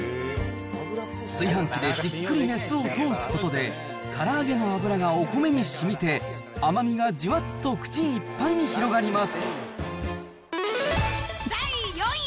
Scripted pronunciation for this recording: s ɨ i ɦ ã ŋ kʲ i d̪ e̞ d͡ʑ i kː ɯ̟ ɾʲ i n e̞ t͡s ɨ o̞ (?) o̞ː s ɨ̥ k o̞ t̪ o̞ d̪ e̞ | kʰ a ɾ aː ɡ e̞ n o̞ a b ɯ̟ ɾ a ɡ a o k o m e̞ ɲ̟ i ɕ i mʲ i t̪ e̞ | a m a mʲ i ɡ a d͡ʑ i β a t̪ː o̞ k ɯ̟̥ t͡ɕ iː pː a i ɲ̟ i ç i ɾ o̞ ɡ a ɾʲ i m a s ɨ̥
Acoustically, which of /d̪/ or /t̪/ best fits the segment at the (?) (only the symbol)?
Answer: t̪